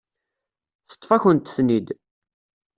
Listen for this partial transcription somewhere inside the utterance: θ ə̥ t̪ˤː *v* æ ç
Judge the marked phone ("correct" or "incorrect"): incorrect